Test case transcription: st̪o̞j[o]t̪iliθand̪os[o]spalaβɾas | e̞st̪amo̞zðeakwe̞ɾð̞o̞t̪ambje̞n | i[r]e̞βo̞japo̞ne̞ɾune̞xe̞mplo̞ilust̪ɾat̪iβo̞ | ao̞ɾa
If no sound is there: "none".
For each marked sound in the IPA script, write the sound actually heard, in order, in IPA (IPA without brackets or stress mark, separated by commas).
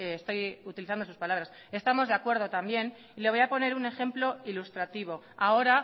u, u, l